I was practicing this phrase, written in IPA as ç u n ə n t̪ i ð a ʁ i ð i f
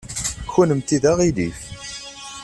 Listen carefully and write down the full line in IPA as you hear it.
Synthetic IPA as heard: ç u n ə m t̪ i ð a ʁ i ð i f